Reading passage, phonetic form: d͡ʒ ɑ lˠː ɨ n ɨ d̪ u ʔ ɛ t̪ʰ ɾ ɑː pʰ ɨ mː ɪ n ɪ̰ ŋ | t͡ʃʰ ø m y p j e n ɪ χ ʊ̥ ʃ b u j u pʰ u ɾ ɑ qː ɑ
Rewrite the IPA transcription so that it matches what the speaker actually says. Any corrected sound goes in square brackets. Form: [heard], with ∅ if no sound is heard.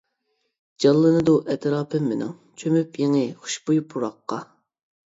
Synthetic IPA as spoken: d͡ʒ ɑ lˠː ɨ n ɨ d̪ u ʔ ɛ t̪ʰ ɾ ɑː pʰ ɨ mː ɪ n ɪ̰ ŋ | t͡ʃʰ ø m y p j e [ŋ] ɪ χ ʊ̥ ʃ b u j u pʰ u ɾ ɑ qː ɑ